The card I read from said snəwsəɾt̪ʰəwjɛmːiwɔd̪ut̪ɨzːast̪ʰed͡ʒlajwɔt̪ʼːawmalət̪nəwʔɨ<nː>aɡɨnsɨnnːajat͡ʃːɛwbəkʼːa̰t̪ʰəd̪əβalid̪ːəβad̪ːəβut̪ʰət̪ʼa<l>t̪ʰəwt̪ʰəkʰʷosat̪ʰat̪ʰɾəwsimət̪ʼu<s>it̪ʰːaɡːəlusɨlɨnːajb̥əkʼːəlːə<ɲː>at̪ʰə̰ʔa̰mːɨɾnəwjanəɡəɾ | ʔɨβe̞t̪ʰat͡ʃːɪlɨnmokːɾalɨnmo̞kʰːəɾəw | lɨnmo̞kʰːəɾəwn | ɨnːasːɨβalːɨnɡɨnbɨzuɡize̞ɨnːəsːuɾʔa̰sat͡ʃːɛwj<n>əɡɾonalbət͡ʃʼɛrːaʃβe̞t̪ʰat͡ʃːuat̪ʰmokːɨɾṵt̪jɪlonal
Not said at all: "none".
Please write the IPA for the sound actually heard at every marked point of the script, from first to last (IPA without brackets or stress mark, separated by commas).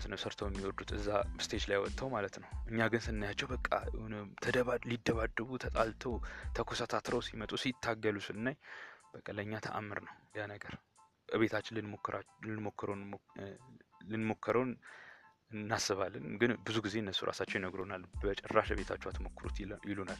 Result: ɲː, l, s, ɲː, n